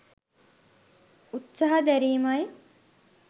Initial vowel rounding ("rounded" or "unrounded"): rounded